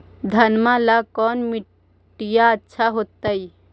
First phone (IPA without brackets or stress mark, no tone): d̪ʱ